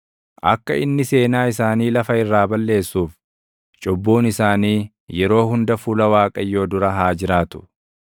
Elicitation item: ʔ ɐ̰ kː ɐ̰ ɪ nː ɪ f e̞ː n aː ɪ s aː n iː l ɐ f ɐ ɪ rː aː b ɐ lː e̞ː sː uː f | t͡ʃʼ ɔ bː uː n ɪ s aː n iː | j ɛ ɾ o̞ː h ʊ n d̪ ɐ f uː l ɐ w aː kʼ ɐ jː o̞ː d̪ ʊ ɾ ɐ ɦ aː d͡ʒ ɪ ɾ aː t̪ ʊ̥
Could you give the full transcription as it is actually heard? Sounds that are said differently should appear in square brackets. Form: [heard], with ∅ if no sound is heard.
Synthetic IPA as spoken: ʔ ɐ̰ kː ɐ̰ ɪ nː ɪ [s] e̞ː n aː ɪ s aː n iː l ɐ f ɐ ɪ rː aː b ɐ lː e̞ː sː uː f | t͡ʃʼ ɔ bː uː n ɪ s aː n iː | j ɛ ɾ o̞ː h ʊ n d̪ ɐ f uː l ɐ w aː kʼ ɐ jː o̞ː d̪ ʊ ɾ ɐ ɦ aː d͡ʒ ɪ ɾ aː t̪ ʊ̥